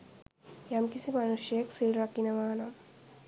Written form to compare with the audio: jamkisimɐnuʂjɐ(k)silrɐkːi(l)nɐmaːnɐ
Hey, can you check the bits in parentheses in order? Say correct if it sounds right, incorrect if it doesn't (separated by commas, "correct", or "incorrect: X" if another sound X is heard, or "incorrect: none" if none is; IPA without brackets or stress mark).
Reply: correct, incorrect: none